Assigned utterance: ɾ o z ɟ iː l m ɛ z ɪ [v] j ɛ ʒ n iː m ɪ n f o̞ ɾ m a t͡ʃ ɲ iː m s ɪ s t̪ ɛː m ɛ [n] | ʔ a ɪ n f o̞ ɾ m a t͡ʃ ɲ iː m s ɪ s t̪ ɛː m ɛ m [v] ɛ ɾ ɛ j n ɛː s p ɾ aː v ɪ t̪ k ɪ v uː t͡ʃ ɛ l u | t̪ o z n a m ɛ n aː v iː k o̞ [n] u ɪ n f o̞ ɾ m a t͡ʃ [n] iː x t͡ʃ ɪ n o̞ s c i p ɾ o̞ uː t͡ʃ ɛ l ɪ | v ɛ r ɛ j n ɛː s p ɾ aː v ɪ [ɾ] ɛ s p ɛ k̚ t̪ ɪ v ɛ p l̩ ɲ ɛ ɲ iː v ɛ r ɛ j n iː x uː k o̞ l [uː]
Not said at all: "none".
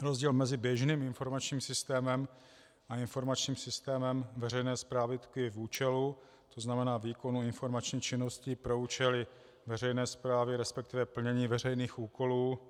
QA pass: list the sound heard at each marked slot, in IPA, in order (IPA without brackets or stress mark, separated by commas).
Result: b, m, v, n, ɲ, ɾ, uː